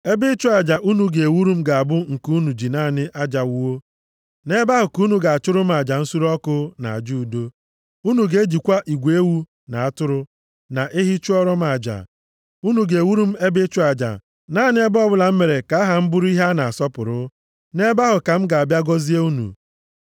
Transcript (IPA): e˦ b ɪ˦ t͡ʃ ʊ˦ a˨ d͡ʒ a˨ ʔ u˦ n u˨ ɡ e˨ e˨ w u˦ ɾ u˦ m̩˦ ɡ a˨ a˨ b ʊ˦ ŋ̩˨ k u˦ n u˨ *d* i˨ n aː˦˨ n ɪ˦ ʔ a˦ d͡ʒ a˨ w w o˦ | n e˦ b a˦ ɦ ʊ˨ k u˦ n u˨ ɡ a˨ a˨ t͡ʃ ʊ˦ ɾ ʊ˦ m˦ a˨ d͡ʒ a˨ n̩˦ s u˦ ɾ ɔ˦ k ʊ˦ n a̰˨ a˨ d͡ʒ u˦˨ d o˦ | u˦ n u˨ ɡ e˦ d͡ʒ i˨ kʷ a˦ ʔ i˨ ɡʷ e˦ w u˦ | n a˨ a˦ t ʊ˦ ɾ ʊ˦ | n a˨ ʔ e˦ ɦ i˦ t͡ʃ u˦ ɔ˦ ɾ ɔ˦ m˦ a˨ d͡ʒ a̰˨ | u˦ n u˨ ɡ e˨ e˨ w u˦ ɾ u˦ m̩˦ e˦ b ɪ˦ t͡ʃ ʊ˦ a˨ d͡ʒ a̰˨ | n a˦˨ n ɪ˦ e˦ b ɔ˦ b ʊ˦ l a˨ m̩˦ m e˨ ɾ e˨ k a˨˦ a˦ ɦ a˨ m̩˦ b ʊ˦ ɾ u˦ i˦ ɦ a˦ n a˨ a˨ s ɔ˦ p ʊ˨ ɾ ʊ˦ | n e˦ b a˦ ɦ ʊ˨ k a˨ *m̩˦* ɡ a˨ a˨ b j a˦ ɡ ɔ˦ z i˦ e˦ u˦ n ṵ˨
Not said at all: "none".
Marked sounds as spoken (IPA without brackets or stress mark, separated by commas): d͡ʒ, m̩˦